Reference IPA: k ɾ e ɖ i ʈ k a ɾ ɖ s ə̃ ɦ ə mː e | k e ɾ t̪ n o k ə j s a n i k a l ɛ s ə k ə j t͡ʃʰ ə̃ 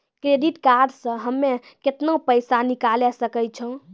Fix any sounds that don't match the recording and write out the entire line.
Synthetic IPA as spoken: k ɾ e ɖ i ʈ k a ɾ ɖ s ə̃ ɦ ə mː e | k e t̪ n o p ə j s a n i k a l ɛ s ə k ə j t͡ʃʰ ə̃